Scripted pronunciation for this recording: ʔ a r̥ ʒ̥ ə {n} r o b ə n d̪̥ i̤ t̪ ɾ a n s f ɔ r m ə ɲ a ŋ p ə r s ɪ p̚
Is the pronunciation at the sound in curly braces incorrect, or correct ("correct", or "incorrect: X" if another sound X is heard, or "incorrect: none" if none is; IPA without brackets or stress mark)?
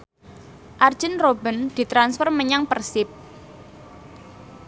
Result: correct